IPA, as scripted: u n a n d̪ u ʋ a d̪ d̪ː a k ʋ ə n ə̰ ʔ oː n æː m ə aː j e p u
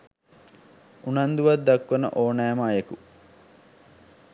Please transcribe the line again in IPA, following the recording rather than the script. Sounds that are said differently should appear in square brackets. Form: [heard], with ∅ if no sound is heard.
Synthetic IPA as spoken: u n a n d̪ u ʋ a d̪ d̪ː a k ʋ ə n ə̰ ʔ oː n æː m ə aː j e [k] u

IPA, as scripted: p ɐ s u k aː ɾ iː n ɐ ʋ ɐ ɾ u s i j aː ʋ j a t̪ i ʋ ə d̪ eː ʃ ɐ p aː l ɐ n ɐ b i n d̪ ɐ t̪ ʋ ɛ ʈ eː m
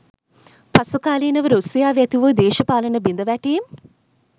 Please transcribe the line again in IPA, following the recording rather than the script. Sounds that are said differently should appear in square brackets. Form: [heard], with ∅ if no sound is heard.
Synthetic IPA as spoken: p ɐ s u k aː [l] iː n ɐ ʋ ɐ ɾ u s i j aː ʋ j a t̪ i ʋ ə d̪ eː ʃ ɐ p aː l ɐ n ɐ b i n d̪ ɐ [∅] ʋ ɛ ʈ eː m

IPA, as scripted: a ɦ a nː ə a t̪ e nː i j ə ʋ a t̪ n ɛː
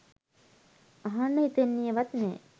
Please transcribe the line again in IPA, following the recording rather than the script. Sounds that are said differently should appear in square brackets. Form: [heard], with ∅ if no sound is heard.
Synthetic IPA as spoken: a ɦ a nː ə [i] t̪ e nː i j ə ʋ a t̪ n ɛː

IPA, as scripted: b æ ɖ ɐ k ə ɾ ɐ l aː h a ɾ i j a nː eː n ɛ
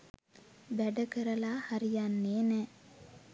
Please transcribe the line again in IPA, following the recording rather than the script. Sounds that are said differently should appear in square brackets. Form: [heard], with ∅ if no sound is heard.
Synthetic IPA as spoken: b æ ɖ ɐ k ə ɾ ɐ l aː h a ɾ i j a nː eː n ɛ

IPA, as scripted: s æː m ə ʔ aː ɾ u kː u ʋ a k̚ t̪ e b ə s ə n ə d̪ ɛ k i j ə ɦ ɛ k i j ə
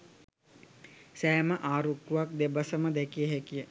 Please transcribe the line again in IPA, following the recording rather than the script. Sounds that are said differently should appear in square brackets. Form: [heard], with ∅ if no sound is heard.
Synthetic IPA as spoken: s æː m ə ʔ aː ɾ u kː u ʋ a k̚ [d̪] e b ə s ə [m] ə d̪ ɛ k i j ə ɦ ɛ k i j ə

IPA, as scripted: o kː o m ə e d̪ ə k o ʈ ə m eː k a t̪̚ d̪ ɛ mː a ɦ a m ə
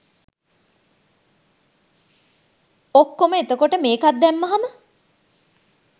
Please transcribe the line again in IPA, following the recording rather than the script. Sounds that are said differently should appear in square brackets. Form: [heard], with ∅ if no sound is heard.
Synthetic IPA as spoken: o kː o m ə e [t̪] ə k o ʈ ə m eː k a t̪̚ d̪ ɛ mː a ɦ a m ə

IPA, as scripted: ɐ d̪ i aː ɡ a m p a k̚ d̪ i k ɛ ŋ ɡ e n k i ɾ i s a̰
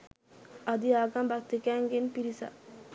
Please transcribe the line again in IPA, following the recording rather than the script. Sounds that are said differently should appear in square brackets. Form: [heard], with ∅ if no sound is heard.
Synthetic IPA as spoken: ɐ d̪ i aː ɡ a m [b] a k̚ [t̪] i k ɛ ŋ ɡ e n [p] i ɾ i s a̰

